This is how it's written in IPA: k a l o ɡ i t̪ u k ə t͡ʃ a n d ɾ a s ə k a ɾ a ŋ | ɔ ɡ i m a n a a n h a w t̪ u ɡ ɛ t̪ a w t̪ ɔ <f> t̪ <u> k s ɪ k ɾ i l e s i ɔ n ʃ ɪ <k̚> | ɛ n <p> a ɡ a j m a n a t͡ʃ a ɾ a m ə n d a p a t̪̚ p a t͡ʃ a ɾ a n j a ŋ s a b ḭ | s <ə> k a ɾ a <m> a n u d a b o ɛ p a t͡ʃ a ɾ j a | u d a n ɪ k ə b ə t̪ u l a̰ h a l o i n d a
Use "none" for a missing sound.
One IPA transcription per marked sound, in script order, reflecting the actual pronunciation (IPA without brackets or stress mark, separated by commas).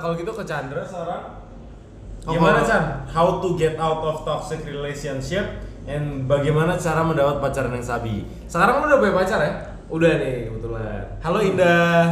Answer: f, ɔ, p̚, b, ə, ŋ